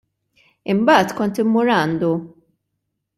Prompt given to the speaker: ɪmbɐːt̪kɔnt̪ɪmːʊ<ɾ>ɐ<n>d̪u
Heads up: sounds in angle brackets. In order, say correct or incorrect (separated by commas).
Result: correct, correct